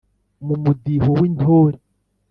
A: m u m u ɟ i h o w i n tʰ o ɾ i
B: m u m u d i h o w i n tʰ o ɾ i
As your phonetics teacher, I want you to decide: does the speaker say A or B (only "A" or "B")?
B